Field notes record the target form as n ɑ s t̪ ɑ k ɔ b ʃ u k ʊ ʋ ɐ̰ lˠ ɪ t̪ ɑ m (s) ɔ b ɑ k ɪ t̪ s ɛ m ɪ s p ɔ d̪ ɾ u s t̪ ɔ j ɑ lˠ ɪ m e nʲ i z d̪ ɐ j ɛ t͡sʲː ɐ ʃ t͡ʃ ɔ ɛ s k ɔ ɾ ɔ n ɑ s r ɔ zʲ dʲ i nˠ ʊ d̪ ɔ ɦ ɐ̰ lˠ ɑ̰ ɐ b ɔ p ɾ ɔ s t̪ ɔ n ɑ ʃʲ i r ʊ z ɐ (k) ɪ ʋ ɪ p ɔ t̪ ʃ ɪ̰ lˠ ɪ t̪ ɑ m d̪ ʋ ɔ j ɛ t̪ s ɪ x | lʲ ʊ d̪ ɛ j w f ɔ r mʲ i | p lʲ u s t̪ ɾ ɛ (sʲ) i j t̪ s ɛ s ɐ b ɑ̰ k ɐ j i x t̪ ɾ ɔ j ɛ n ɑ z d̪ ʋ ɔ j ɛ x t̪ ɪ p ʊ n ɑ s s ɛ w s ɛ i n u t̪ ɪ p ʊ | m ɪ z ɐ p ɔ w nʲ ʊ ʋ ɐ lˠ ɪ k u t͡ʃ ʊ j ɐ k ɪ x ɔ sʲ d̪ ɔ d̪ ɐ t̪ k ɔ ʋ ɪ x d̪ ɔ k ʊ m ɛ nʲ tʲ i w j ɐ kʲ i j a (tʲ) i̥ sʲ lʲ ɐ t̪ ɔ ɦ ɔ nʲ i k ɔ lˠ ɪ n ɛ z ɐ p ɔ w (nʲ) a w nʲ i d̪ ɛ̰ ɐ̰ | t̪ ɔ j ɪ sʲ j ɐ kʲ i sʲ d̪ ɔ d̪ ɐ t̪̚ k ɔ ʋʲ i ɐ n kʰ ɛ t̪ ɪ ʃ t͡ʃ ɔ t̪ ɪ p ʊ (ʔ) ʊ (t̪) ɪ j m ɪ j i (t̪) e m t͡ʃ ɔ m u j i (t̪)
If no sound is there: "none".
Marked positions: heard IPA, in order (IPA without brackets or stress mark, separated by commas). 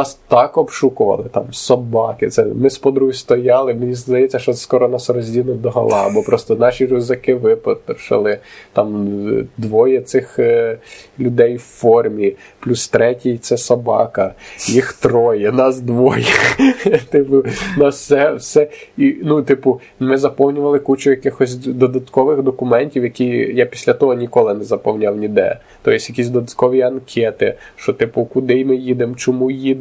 s, k, tʲ, pʲ, nʲ, k, d̪, d̪, d̪